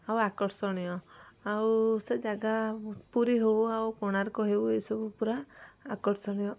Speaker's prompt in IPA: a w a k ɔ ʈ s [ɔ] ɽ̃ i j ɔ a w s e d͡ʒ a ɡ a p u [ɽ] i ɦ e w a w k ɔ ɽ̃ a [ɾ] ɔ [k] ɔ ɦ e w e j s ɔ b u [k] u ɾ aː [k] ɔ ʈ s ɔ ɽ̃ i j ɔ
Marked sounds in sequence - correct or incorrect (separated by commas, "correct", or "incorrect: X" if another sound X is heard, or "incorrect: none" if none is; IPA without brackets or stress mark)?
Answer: correct, incorrect: ɾ, correct, correct, incorrect: p, correct